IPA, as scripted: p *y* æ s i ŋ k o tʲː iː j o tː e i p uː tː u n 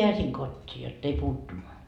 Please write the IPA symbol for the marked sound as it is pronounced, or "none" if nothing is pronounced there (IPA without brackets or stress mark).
i